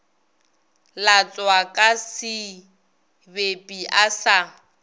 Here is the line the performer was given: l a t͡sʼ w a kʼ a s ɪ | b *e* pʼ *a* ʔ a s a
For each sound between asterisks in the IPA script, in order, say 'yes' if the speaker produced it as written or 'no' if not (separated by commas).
yes, no